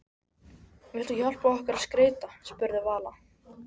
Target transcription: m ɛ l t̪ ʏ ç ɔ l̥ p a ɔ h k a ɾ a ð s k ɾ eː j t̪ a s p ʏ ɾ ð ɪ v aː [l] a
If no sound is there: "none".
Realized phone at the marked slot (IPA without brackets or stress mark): l